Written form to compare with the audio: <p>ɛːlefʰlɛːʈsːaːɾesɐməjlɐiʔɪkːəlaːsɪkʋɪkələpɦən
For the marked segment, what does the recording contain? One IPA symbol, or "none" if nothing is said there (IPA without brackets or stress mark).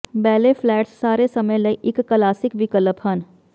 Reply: b